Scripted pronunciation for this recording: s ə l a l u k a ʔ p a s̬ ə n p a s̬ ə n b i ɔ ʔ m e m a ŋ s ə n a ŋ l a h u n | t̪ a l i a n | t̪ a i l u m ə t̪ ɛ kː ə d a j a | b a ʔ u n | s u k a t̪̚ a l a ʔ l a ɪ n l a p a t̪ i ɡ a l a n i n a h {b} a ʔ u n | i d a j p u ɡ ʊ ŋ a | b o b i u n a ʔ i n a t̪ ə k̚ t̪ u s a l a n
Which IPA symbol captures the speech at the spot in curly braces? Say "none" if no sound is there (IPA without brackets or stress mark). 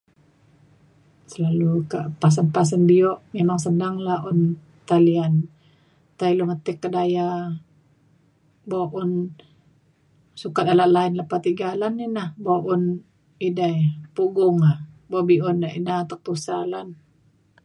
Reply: b